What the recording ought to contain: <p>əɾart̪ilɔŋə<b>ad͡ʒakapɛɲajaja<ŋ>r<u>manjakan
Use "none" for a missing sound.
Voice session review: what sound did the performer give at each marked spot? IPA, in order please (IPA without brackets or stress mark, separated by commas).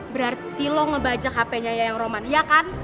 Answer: b, b, ŋ, o